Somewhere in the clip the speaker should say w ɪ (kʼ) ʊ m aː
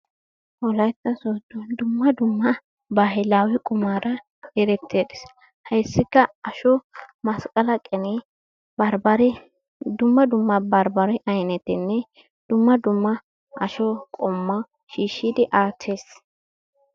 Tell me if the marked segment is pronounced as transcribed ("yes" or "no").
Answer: yes